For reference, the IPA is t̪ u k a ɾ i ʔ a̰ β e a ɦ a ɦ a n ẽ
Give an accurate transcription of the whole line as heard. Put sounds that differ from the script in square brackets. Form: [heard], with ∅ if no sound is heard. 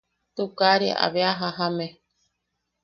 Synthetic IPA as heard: t̪ u k a ɾ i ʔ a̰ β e a ɦ a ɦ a [m] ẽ